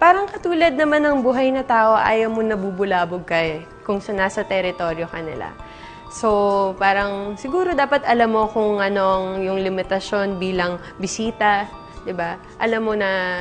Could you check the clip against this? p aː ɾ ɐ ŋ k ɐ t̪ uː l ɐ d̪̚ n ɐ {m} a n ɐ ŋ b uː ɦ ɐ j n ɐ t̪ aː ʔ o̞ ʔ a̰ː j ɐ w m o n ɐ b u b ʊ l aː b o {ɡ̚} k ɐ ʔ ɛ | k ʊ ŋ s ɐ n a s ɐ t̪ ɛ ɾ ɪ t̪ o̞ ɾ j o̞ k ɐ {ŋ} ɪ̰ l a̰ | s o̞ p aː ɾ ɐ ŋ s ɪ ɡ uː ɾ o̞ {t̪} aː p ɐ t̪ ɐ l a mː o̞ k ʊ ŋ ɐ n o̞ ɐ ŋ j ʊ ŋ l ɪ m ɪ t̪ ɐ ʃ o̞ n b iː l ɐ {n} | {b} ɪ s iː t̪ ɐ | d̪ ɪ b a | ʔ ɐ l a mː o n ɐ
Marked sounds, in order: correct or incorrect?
correct, correct, incorrect: n, incorrect: d̪, incorrect: ŋ, correct

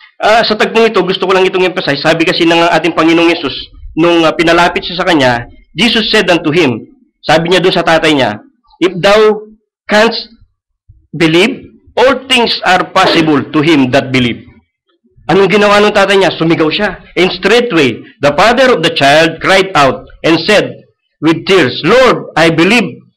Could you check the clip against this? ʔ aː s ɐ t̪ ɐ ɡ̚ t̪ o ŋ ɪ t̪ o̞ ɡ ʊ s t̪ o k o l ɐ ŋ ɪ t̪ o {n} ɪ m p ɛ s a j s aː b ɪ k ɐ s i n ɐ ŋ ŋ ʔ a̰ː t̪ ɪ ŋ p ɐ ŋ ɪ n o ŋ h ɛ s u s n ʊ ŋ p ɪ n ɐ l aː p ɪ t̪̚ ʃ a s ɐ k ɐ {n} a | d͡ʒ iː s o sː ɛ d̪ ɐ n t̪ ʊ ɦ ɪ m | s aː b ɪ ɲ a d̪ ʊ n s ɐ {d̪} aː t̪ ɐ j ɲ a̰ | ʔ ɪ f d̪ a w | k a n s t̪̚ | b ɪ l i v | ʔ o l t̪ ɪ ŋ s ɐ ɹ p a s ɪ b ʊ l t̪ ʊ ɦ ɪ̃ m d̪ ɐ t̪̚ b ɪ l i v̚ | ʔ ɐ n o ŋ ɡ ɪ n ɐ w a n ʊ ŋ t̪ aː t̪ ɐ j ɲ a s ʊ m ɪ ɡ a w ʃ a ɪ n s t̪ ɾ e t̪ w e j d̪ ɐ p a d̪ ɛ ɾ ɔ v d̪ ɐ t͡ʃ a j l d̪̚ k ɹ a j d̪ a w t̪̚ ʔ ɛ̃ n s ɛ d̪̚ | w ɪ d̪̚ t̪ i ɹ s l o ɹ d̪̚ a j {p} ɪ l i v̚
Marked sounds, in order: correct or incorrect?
incorrect: ŋ, incorrect: ɲ, incorrect: t̪, incorrect: b

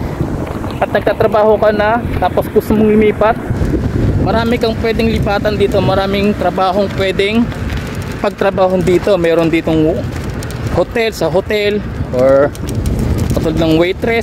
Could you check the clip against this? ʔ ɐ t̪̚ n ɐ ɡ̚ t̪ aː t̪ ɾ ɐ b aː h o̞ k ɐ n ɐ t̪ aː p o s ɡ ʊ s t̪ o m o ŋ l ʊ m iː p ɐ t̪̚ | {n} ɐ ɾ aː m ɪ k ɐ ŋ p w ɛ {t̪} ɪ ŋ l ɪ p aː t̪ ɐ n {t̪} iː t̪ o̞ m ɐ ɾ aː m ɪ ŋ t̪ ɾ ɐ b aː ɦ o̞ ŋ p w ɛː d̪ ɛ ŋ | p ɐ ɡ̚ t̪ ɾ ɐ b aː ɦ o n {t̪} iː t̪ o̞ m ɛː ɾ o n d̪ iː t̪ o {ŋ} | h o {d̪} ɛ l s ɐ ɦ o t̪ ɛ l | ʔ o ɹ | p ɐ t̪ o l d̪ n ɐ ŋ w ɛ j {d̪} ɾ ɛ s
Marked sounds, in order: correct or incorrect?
incorrect: m, incorrect: d̪, incorrect: d̪, incorrect: d̪, correct, incorrect: t̪, incorrect: t̪

